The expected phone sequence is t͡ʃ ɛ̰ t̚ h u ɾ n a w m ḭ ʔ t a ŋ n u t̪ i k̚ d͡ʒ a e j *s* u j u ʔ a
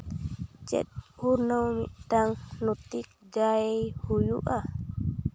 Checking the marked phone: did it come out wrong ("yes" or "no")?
yes